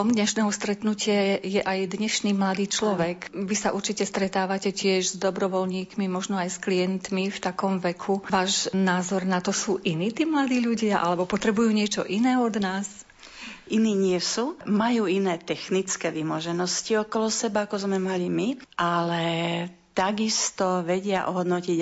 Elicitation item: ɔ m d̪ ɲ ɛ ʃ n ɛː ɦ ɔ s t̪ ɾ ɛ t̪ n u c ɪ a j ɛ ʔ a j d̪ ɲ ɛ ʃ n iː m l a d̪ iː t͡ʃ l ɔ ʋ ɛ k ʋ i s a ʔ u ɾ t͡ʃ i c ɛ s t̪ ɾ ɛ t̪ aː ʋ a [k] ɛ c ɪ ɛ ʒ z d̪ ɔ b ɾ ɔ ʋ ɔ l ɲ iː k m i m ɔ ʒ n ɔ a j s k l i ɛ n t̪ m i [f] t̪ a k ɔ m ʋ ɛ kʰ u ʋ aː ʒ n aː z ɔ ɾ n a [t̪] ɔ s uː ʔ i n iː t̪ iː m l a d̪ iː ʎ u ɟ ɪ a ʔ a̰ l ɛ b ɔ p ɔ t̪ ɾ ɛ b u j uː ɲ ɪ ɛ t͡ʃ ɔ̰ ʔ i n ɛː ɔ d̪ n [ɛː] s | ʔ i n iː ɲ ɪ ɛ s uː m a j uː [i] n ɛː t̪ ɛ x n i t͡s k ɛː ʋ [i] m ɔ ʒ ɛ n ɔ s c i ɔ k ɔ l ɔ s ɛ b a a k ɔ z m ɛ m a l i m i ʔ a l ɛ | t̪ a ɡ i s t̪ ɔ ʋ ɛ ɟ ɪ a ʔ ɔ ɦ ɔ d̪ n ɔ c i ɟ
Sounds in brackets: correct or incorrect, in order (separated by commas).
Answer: incorrect, correct, correct, incorrect, correct, correct